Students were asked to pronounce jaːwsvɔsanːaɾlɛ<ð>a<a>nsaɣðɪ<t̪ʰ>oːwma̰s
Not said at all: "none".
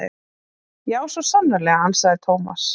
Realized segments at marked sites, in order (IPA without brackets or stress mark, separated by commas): ɣ, a, t̪ʰ